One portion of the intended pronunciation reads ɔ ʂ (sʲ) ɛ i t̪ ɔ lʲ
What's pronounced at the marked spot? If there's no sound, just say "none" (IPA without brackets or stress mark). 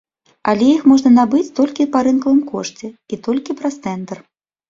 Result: t͡sʲ